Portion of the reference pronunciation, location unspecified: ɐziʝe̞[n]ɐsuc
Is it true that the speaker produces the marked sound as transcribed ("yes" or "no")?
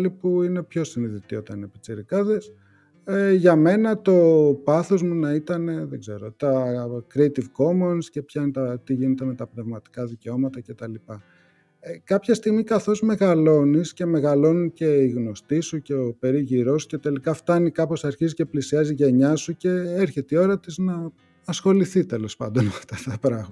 no